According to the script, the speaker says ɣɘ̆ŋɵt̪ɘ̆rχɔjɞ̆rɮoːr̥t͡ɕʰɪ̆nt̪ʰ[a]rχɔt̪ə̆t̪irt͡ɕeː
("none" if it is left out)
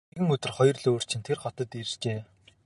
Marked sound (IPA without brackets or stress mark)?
e